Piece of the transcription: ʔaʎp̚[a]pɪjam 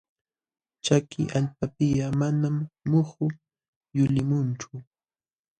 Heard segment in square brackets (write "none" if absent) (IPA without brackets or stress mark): a